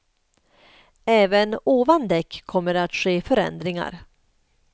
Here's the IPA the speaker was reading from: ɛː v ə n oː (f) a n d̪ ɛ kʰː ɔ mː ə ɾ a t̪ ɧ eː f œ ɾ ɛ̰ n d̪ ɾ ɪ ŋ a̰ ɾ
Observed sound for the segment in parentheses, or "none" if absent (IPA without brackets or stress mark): v